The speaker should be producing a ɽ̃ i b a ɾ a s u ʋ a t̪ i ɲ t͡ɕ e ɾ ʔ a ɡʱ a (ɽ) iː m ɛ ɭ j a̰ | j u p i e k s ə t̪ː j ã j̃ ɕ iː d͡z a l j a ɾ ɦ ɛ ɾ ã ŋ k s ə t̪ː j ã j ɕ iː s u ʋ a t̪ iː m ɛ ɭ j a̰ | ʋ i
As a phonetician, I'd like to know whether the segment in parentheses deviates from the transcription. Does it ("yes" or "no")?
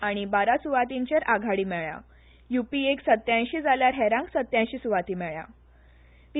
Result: no